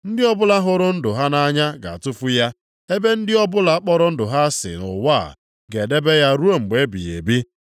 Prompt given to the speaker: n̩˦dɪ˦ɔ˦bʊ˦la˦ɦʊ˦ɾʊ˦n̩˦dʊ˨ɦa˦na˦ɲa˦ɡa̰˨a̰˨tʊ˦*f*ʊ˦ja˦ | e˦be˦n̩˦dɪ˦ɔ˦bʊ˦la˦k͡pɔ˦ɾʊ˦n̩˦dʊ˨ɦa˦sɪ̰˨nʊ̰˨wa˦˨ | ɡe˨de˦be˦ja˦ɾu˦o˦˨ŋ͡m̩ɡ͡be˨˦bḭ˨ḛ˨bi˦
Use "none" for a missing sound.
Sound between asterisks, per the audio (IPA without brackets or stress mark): f